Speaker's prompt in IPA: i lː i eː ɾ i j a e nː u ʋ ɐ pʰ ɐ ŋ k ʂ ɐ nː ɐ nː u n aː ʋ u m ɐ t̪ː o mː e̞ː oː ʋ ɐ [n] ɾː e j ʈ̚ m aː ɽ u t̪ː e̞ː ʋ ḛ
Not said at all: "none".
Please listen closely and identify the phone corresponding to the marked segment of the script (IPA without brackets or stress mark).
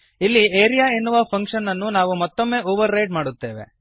none